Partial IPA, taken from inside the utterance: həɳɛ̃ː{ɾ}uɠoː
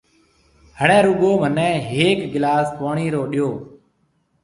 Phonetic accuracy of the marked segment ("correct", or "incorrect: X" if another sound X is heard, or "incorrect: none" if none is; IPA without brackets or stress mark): correct